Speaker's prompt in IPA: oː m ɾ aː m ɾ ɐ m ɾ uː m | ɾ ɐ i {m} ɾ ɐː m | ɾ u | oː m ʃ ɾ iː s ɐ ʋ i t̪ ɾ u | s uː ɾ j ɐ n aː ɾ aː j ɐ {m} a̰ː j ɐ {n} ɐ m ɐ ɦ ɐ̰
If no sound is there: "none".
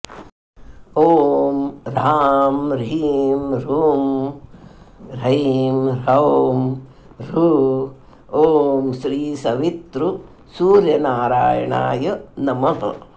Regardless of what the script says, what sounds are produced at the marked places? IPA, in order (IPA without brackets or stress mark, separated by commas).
m, ɳ, n